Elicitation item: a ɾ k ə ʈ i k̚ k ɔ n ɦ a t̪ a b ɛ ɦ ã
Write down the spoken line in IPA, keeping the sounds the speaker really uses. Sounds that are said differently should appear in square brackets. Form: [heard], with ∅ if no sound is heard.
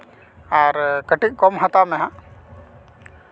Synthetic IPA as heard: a ɾ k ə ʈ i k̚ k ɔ [m] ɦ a t̪ a [m] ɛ ɦ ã